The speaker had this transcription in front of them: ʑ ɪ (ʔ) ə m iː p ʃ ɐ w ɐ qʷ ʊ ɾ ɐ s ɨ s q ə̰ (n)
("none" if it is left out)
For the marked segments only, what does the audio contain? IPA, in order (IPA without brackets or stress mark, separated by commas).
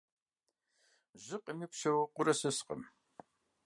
q, m